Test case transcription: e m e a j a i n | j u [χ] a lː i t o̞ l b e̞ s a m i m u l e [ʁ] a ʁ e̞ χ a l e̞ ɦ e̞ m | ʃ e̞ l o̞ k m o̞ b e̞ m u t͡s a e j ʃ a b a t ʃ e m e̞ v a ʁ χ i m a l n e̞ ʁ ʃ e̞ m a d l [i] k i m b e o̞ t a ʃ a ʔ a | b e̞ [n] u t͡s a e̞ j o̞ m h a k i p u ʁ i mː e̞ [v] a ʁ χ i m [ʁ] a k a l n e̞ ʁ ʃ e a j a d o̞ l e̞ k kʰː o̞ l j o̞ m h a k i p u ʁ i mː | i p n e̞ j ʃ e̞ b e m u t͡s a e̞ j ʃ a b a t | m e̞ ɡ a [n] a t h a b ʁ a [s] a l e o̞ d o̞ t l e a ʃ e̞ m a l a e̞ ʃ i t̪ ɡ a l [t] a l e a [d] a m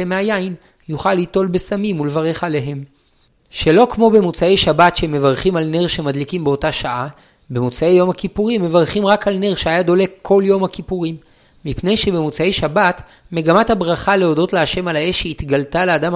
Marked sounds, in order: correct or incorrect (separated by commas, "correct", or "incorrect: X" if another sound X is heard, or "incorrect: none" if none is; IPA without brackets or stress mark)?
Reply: correct, incorrect: v, correct, incorrect: m, correct, correct, incorrect: m, incorrect: χ, correct, correct